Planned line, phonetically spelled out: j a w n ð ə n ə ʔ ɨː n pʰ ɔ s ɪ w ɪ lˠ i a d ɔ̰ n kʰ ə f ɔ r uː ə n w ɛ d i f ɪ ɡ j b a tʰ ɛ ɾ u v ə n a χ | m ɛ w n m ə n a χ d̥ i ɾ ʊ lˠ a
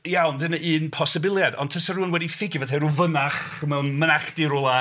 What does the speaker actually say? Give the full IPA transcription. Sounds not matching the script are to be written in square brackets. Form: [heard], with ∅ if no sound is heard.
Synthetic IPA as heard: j a w n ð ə n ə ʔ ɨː n pʰ ɔ s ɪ [b] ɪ lˠ [j] a d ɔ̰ n [tʰ] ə [s] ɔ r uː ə n w ɛ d i f ɪ ɡ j [v] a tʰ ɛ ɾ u v ə n a χ | m ɛ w n m ə n a χ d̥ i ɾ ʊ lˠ a

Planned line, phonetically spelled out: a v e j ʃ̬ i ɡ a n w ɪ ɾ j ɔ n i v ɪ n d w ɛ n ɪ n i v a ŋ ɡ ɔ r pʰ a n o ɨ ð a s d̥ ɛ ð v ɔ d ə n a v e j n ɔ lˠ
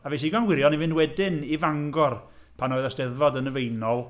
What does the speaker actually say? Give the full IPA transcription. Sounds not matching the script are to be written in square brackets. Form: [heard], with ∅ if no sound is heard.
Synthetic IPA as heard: a v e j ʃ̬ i ɡ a n w ɪ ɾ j ɔ n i v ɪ n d w ɛ [d] ɪ n i v a ŋ ɡ ɔ r pʰ a n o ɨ ð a s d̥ ɛ ð v ɔ d ə n [ə] v e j n ɔ lˠ

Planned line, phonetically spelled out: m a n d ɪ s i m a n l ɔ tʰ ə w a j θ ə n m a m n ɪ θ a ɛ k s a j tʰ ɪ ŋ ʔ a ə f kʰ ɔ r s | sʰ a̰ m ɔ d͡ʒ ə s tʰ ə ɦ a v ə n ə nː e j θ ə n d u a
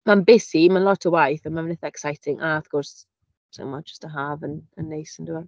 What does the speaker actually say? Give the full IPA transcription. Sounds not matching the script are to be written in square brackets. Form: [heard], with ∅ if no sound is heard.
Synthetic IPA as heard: m a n [b] ɪ s i m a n l ɔ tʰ ə w a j θ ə n m a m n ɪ θ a ɛ k s a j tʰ ɪ ŋ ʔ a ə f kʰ ɔ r s | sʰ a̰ m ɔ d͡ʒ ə s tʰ ə ɦ a v ə n ə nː e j [s] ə n d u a

